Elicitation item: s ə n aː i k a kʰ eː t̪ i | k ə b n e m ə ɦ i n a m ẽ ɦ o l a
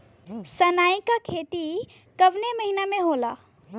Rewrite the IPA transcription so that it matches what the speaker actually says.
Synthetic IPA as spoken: s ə n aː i k a kʰ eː t̪ i | k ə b n e m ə ɦ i n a m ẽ ɦ o l a